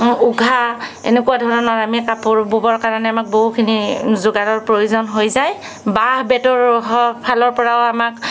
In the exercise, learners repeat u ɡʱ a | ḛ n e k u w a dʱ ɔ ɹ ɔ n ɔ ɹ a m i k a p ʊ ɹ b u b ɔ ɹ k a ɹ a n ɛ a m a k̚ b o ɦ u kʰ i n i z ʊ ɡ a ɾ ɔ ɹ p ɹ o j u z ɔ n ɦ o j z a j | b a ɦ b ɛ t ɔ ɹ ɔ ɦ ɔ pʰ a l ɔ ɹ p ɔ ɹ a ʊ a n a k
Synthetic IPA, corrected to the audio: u ɡʱ a | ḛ n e k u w a dʱ ɔ ɹ ɔ n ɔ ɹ a m i k a p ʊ ɹ b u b ɔ ɹ k a ɹ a n ɛ a m a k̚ b o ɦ u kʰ i n i z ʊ ɡ a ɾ ɔ ɹ p ɹ o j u z ɔ n ɦ o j z a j | b a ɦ b ɛ t ɔ ɹ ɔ ɦ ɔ pʰ a l ɔ ɹ p ɔ ɹ a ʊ a m a k